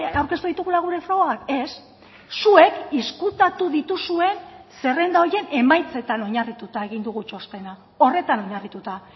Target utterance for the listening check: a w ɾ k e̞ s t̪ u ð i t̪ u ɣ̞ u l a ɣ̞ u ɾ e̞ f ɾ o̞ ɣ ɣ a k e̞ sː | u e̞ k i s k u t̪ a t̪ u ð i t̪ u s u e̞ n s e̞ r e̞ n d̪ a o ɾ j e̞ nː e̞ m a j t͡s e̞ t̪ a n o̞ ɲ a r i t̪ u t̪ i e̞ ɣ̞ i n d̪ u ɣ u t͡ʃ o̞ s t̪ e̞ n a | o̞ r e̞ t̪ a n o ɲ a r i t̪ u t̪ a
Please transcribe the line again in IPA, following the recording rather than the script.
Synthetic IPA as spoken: a w ɾ k e̞ s t̪ u ð i t̪ u ɣ̞ u l a ɣ̞ u ɾ e̞ f ɾ o̞ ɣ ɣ a k e̞ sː | u e̞ k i s k u t̪ a t̪ u ð i t̪ u s u e̞ n s e̞ r e̞ n d̪ a o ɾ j e̞ n e̞ m a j t͡s e̞ t̪ a n o̞ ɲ a r i t̪ u t̪ a e̞ ɣ̞ i n d̪ u ɣ u t͡ʃ o̞ s t̪ e̞ n a | o̞ r e̞ t̪ a n o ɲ a r i t̪ u t̪ a